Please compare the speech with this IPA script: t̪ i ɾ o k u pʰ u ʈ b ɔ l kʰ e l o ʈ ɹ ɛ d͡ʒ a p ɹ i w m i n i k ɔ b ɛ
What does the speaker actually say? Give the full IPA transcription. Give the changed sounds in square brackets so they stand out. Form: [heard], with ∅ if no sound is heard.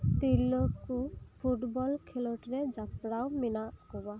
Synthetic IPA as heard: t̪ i [l] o k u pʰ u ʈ b ɔ l kʰ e l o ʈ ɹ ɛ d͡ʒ a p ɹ [a] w m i n [a] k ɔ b [a]

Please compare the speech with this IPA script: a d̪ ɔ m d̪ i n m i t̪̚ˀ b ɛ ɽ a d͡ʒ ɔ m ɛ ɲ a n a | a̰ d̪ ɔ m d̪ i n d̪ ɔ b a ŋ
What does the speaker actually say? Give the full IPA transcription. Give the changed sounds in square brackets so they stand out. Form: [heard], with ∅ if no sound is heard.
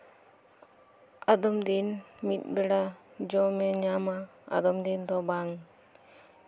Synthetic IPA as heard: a d̪ ɔ m d̪ i n m i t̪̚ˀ b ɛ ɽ a d͡ʒ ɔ m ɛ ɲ a [m] a | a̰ d̪ ɔ m d̪ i n d̪ ɔ b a ŋ

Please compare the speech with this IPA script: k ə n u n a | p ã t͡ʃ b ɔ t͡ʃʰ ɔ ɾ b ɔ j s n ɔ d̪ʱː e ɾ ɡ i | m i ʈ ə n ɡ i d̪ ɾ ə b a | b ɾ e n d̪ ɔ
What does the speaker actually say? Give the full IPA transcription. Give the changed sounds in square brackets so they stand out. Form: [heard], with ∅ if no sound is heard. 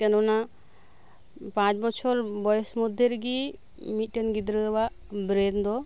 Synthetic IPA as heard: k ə n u n a | p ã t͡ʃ b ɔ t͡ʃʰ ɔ ɾ b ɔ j s [m] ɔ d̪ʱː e ɾ ɡ i | m i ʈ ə n ɡ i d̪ ɾ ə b a | b ɾ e n d̪ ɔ

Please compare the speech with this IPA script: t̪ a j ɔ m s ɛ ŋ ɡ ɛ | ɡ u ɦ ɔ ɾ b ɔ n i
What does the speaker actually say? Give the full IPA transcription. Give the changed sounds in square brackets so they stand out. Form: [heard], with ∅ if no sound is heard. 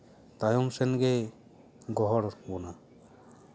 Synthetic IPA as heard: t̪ a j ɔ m s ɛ [n] ɡ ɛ | ɡ [ɔ] ɦ ɔ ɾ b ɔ n [a]

